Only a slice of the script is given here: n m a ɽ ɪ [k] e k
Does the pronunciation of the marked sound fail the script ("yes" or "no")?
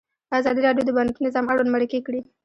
no